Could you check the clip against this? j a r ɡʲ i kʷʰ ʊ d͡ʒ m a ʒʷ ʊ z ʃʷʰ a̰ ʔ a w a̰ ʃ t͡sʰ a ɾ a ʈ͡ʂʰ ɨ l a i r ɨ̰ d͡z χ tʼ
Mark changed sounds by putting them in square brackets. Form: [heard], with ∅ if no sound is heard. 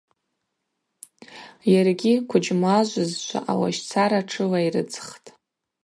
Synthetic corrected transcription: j a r ɡʲ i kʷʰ ʊ d͡ʒ m a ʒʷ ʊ z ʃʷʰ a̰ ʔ a w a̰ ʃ t͡sʰ a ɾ a ʈ͡ʂʰ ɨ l a i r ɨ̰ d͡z χ tʼ

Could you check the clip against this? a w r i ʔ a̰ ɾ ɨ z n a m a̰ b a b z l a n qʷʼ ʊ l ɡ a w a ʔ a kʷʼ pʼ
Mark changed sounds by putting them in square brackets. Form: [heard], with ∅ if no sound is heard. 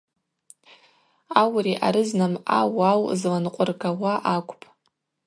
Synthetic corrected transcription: a w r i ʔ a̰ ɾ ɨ z n a m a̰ [w] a [w] z l a n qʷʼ ʊ [r] ɡ a w a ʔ a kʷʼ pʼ

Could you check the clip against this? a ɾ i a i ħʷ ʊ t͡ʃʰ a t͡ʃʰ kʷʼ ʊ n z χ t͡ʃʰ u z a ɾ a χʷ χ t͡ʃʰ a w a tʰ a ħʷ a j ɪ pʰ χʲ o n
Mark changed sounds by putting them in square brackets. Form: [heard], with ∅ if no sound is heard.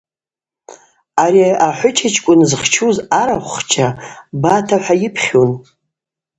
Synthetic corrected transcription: a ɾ i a [a] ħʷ ʊ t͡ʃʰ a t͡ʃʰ kʷʼ ʊ n z χ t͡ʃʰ u z a ɾ a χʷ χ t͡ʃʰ a [b] a tʰ a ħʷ a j ɪ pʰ χʲ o n

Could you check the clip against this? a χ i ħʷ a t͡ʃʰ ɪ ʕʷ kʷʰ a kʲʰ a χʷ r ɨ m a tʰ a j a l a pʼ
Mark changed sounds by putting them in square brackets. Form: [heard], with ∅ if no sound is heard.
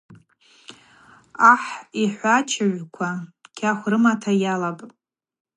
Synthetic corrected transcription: a [ħ] i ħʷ a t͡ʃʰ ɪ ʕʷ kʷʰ a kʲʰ a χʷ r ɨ m a tʰ a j a l a pʼ

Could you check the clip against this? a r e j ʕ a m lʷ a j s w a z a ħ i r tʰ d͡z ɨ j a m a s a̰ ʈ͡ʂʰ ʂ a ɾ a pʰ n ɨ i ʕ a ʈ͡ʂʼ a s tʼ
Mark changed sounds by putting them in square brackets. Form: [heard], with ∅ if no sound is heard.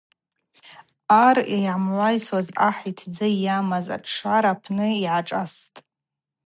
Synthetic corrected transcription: a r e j ʕ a m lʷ a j s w a z a ħ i [∅] tʰ d͡z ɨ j a m a [z] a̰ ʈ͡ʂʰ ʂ a ɾ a pʰ n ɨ i ʕ a ʈ͡ʂʼ a s tʼ

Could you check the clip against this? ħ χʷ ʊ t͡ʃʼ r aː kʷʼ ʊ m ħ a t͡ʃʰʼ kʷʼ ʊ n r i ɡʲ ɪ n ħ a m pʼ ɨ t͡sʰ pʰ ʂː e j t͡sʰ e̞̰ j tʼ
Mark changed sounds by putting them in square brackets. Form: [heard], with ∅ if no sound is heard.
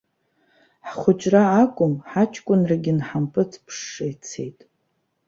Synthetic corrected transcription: ħ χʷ ʊ t͡ʃʼ r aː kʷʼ ʊ m ħ a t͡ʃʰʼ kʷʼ ʊ n r [a] ɡʲ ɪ n ħ a m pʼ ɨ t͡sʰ pʰ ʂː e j t͡sʰ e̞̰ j tʼ

